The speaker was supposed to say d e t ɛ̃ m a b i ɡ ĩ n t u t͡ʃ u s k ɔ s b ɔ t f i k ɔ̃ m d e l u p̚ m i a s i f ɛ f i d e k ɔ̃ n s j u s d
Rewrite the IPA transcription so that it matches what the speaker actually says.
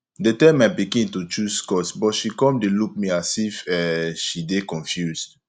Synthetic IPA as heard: d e t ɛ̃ m a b i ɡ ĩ n t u t͡ʃ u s k ɔ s b ɔ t ʃ i k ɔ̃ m d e l u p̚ m i a s i f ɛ ʃ i d e k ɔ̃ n f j u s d